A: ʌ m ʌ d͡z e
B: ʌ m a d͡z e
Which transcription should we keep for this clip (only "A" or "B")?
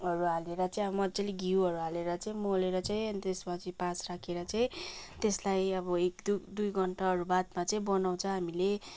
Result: A